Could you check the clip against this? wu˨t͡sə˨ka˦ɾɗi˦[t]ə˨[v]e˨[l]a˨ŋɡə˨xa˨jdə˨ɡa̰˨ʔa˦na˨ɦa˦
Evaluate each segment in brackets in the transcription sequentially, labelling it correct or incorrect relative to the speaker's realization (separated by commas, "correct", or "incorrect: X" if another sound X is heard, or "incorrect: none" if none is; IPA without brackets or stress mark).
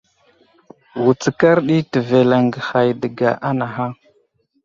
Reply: correct, correct, correct